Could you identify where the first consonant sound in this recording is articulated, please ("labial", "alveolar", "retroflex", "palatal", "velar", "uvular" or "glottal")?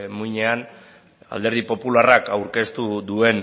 labial